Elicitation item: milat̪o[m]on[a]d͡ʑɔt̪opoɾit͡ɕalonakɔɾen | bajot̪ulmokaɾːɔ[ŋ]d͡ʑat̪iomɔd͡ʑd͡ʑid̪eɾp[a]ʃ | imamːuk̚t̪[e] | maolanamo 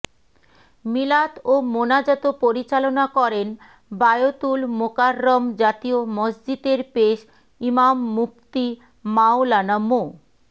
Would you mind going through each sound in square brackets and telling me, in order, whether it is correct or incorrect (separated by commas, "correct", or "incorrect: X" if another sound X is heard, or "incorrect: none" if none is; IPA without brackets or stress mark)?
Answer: correct, correct, incorrect: m, incorrect: e, incorrect: i